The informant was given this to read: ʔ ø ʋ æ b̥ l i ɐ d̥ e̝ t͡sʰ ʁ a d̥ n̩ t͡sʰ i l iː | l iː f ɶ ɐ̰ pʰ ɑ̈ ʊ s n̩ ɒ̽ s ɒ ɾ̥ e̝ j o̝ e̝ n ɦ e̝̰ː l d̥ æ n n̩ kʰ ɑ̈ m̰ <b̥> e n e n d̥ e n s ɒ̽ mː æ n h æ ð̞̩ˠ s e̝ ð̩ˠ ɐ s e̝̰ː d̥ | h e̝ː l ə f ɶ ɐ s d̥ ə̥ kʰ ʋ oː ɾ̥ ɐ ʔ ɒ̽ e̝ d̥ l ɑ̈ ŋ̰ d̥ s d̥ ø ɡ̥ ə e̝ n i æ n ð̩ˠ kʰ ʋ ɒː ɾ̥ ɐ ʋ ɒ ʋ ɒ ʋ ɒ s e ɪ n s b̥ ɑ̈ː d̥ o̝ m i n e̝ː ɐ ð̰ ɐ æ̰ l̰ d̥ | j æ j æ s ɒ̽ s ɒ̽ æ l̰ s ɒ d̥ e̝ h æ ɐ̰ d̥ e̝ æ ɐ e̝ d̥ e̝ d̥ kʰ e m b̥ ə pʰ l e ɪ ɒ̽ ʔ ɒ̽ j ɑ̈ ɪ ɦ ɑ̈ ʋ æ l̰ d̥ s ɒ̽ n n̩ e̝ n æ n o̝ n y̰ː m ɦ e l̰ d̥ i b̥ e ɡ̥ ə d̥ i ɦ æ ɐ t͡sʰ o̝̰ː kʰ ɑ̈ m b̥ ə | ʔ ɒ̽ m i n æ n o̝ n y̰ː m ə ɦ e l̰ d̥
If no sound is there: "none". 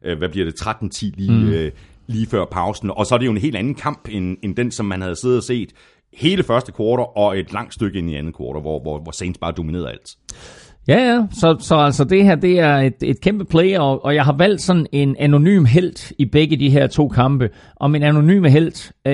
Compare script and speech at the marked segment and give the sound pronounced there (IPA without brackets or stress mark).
b̥